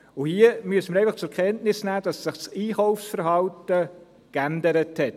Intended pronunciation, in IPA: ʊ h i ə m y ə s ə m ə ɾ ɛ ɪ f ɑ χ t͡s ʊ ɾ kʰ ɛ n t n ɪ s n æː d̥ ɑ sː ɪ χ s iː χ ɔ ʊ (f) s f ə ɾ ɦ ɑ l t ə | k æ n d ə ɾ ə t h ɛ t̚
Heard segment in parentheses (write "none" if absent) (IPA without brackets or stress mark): f